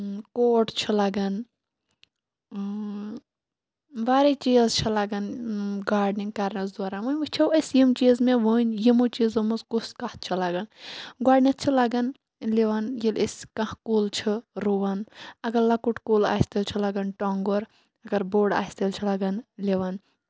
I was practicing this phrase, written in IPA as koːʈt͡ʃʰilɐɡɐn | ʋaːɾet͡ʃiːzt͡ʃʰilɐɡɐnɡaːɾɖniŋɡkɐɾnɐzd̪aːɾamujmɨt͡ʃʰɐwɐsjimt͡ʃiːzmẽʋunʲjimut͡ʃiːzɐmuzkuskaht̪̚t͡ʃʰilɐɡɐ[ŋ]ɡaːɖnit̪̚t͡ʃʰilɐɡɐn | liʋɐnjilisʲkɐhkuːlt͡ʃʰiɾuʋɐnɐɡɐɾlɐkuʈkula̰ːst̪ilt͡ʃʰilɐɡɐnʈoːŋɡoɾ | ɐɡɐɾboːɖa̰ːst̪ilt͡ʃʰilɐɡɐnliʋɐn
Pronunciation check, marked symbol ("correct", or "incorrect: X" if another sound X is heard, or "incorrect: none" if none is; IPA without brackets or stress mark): incorrect: n